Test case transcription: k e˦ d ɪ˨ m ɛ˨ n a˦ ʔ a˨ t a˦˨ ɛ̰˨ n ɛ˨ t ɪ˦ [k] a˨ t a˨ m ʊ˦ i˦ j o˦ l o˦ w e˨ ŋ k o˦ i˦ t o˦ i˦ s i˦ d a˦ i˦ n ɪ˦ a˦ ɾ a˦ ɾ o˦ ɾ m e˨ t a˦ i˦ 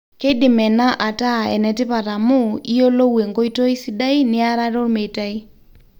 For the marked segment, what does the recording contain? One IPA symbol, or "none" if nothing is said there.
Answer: p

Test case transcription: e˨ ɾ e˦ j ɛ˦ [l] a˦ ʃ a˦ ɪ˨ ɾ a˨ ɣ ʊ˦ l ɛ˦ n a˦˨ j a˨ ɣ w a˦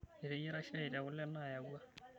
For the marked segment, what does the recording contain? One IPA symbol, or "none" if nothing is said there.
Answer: ɾ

